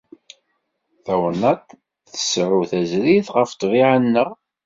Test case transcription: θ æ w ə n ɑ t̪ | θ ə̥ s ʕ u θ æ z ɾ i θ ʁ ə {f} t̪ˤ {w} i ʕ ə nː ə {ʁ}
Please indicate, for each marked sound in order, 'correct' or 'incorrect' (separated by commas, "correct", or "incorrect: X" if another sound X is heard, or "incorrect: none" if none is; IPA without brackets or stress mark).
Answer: correct, incorrect: v, correct